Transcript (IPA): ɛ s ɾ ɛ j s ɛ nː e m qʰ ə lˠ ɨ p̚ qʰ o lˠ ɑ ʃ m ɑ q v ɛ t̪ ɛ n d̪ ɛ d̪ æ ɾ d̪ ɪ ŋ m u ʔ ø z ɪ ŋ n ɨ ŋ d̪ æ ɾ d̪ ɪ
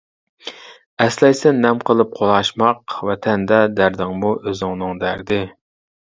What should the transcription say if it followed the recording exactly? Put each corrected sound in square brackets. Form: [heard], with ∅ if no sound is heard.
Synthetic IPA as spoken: ɛ s [l] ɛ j s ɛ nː [ɛ] m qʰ ə lˠ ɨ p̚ qʰ o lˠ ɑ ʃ m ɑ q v ɛ [t̪ʰ] ɛ n d̪ ɛ d̪ æ ɾ d̪ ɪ ŋ m u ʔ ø z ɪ ŋ n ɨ ŋ d̪ æ ɾ d̪ ɪ